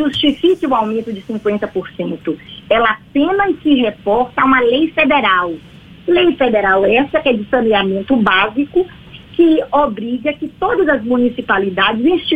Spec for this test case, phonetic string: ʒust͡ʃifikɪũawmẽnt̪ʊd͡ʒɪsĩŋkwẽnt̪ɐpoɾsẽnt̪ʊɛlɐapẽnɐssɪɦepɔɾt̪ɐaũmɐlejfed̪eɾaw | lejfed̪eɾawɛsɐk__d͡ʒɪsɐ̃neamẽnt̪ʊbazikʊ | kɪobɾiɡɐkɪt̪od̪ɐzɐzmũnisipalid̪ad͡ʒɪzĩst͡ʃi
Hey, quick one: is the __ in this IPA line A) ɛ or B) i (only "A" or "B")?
A